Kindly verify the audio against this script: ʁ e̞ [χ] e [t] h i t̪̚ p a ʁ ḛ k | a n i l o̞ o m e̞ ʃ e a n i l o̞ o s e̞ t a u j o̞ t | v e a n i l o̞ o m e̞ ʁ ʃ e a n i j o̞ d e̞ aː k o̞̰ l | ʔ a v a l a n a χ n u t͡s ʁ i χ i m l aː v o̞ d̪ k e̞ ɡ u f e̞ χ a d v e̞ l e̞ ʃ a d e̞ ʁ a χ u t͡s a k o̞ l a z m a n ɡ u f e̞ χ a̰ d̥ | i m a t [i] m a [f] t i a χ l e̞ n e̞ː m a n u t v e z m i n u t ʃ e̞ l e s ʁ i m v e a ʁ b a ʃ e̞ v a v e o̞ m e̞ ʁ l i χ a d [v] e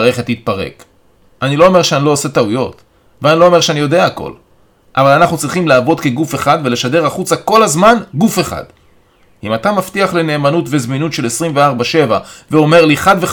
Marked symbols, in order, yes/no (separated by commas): yes, yes, no, yes, yes